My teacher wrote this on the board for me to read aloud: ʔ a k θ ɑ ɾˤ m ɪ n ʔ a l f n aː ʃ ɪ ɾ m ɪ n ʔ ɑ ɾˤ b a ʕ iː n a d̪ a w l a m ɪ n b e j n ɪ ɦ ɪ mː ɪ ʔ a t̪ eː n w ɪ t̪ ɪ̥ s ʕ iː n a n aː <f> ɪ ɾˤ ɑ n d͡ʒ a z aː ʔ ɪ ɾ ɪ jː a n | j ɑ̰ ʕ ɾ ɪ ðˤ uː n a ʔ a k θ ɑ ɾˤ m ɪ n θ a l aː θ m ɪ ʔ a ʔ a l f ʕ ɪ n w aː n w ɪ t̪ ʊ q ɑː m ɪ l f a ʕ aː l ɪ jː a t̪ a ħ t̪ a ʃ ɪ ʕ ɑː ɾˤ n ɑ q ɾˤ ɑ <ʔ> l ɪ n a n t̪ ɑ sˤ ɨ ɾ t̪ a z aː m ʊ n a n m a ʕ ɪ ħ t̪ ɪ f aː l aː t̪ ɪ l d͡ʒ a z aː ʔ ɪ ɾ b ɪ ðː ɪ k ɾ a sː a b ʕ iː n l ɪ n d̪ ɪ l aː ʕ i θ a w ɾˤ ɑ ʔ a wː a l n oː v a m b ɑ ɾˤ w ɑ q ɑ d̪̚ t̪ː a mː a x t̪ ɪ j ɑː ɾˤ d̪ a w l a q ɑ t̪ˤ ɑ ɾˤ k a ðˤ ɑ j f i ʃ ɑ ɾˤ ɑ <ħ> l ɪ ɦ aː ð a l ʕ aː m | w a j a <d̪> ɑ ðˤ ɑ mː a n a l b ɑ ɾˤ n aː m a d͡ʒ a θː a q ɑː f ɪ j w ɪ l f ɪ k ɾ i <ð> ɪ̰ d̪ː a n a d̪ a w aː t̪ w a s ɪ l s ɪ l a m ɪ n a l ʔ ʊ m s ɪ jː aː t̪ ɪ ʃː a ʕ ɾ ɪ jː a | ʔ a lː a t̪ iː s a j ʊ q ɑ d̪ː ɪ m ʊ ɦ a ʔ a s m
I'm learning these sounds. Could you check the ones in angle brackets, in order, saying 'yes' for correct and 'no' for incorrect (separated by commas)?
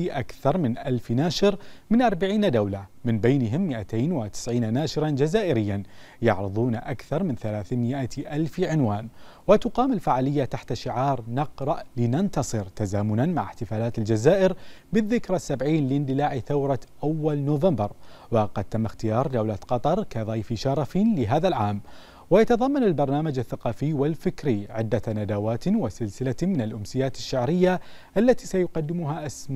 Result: no, yes, no, no, no